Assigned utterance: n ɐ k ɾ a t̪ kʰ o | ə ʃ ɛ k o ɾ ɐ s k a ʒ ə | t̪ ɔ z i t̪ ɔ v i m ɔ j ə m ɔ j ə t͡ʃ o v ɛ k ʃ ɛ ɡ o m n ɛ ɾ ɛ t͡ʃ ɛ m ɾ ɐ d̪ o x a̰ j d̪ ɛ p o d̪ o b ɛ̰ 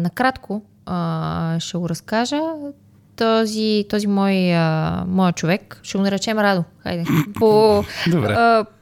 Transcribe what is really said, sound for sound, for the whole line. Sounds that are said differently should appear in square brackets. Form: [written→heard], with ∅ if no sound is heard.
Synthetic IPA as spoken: n ɐ k ɾ a t̪ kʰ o | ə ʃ ɛ [k→ɡ] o ɾ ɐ s k a ʒ ə | t̪ ɔ z i t̪ ɔ [v→z] i m ɔ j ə m ɔ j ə t͡ʃ o v ɛ k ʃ ɛ ɡ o [m→∅] n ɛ ɾ ɛ t͡ʃ ɛ m ɾ [ɐ→a] d̪ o x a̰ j d̪ ɛ p o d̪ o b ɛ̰